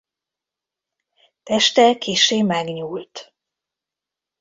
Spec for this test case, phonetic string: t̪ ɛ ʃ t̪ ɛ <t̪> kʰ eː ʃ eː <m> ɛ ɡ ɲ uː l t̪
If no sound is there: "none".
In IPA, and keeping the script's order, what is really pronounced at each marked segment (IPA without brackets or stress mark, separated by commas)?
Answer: none, m